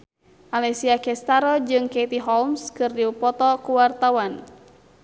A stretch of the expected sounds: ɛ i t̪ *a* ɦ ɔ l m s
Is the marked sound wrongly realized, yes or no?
yes